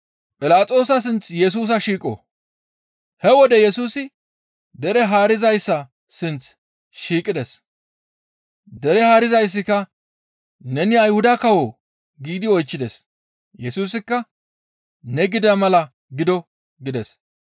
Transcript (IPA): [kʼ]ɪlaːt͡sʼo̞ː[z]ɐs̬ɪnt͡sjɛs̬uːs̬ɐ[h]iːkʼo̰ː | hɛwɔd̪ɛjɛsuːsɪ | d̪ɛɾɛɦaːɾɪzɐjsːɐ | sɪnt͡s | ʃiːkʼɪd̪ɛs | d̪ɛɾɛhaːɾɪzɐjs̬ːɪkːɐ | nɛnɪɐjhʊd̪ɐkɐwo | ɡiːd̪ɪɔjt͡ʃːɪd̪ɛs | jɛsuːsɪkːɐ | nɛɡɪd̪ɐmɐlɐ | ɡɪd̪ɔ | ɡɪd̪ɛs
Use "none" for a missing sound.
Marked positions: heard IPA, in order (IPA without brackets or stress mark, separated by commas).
pʼ, s, ʃ